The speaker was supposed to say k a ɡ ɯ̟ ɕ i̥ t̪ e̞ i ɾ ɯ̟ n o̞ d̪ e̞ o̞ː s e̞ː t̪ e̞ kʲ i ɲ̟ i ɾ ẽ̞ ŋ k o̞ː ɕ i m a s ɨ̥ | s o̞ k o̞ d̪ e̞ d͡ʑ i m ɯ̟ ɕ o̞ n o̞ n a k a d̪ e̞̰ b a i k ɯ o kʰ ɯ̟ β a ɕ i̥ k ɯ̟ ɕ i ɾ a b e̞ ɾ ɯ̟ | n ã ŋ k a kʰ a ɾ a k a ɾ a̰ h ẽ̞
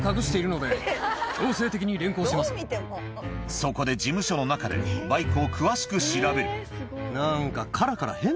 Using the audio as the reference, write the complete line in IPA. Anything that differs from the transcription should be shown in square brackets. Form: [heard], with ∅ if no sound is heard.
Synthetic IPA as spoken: k a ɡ ɯ̟ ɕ i̥ t̪ e̞ i ɾ ɯ̟ n o̞ d̪ e̞ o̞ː s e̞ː t̪ e̞ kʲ i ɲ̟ i ɾ ẽ̞ ŋ k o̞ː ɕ i m a s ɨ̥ | s o̞ k o̞ d̪ e̞ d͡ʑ i m ɯ̟ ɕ o̞ n o̞ n a k a d̪ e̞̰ b a i k ɯ o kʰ ɯ̟ β a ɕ i̥ k ɯ̟ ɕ i ɾ a b e̞ ɾ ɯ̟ | n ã ŋ k a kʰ a ɾ a k a ɾ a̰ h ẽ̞